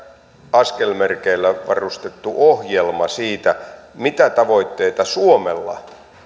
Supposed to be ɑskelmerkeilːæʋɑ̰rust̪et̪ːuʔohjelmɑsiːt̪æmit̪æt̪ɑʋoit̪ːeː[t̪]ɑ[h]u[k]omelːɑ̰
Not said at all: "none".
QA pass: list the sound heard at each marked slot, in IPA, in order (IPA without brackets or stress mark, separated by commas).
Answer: t̪, s, none